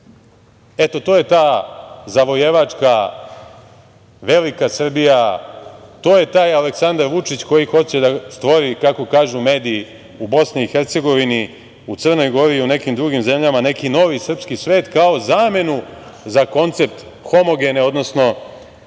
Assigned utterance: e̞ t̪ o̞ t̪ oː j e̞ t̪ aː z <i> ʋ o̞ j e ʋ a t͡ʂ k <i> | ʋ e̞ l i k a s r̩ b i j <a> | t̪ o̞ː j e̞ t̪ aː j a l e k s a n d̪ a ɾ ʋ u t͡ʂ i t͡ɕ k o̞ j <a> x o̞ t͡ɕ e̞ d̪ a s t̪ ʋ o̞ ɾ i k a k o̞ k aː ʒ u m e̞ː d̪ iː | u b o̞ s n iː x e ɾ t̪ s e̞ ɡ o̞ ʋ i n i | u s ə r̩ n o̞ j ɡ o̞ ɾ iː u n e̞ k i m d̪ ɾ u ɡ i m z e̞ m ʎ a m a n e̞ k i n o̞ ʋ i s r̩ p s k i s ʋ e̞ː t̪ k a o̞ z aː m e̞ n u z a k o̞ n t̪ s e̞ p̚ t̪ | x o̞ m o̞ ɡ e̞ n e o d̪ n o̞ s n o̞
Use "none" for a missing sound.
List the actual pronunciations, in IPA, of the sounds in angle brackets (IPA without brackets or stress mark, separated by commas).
a, a, a, i